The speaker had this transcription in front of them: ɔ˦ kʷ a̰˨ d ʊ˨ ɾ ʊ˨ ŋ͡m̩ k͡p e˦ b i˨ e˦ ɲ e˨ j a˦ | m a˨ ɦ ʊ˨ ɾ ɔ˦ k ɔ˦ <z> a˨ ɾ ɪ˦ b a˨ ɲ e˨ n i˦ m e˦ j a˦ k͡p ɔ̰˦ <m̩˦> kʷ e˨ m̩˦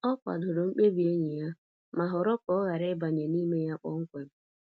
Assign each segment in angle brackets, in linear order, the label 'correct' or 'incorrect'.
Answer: incorrect: ɣ, incorrect: ŋ̩˦

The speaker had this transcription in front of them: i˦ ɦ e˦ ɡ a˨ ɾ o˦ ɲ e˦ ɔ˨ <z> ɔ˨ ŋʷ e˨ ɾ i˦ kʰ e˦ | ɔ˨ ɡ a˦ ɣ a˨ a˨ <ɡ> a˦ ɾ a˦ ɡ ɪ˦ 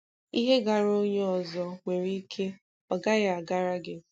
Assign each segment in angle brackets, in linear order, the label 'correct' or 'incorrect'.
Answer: correct, correct

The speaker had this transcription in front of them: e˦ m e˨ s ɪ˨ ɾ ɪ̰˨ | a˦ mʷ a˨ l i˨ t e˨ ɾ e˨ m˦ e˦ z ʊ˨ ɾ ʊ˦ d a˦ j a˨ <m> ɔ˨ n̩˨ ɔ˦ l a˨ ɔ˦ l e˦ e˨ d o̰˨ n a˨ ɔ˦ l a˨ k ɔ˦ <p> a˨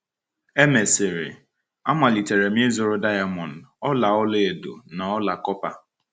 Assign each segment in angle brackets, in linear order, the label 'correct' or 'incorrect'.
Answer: correct, correct

